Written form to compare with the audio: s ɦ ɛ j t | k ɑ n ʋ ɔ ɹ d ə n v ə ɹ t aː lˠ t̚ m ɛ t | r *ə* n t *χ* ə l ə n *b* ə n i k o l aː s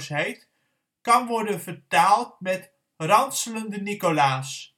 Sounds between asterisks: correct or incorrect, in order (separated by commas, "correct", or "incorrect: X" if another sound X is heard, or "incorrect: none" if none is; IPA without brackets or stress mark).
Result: incorrect: ɑ, incorrect: s, incorrect: d